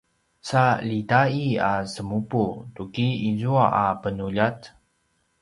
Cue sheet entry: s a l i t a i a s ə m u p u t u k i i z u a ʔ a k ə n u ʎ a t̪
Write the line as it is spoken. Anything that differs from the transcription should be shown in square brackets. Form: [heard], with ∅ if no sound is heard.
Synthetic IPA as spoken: s a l i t a i a s ə m u p u t u k i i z u a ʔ a [p] ə n u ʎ a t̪